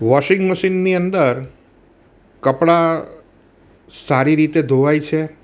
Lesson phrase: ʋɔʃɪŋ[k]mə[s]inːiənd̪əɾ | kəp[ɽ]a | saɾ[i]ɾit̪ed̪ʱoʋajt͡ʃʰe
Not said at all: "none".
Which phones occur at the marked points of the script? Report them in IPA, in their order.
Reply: ɡ, ʃ, ɽ, i

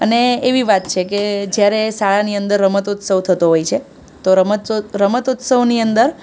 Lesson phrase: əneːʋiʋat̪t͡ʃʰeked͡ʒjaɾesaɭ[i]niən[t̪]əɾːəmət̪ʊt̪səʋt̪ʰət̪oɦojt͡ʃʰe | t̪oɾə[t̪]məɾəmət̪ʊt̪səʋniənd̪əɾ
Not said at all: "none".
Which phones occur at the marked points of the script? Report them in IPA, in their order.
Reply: a, d̪, none

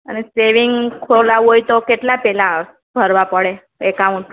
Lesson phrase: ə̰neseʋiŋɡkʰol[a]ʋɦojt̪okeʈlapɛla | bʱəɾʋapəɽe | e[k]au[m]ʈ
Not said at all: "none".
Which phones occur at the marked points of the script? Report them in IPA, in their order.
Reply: a, k, ɳ

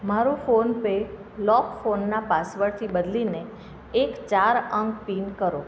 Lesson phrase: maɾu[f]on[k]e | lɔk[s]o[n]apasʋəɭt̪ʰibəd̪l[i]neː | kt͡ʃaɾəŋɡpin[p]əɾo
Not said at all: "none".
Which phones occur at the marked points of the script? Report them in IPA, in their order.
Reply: f, p, f, nː, i, k

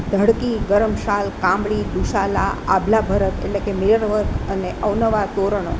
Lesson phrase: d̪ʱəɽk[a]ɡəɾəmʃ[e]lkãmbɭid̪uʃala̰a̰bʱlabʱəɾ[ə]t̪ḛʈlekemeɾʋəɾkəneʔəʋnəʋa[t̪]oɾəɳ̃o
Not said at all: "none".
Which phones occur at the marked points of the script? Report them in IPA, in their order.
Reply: i, a, ə, t̪

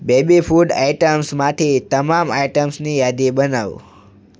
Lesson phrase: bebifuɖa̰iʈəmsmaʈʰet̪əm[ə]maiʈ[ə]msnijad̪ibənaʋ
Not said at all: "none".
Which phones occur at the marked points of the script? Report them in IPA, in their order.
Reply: a, ə

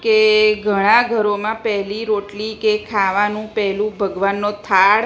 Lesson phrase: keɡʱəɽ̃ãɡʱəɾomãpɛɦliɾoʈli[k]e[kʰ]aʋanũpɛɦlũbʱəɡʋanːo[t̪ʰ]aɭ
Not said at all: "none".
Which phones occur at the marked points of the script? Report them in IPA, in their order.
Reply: k, kʰ, t̪ʰ

